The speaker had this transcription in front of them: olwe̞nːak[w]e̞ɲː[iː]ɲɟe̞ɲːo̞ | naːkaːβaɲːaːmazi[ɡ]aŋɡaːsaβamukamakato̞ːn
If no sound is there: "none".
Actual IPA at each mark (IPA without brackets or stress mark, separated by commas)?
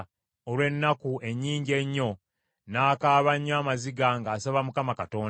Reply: u, iː, ɡ